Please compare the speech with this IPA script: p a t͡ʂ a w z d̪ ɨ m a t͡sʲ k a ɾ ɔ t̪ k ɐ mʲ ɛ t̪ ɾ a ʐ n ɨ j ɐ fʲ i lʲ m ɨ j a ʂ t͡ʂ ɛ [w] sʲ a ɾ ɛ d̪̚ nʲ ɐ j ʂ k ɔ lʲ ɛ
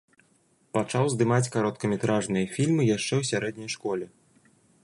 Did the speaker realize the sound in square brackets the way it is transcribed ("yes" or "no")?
yes